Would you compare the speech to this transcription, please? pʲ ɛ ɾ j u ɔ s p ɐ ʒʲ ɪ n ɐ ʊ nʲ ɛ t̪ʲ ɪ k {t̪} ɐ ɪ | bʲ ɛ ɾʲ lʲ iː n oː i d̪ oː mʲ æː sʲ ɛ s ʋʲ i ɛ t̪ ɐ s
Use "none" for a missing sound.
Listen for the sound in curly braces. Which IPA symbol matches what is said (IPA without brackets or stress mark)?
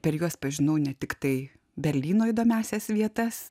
t̪